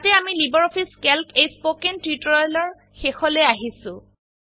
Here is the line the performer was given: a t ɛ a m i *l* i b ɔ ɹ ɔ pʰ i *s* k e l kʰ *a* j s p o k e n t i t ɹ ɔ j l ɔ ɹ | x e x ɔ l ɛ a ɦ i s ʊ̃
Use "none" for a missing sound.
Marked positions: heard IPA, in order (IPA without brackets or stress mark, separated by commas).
l, s, e